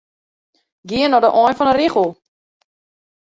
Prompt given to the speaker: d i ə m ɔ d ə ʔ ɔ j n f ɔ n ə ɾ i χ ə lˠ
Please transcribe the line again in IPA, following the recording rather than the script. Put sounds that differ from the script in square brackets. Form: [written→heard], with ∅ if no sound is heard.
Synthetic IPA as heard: [d→ɡ] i ə [m→n] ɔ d ə ʔ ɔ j n f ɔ n ə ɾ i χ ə lˠ